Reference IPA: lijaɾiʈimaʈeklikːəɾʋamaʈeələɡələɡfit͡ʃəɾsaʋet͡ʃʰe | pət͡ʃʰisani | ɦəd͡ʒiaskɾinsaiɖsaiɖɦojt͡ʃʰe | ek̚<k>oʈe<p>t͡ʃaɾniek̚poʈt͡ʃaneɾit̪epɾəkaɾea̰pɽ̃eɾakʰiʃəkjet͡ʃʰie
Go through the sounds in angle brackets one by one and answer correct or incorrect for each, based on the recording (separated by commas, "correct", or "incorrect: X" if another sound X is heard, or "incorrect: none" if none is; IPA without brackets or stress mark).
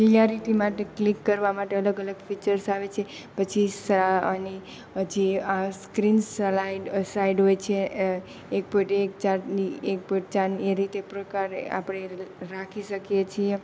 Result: incorrect: p, incorrect: k